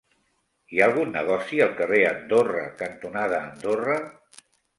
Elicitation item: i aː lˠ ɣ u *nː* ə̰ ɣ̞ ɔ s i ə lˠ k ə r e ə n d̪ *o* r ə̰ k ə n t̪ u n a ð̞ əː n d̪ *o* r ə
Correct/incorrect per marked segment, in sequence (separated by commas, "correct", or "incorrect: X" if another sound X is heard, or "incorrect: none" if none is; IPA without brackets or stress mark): correct, correct, correct